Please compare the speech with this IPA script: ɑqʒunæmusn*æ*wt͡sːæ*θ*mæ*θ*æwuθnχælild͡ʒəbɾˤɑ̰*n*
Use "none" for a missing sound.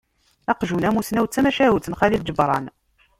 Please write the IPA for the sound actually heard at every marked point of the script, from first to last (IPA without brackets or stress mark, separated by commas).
æ, none, ʃ, n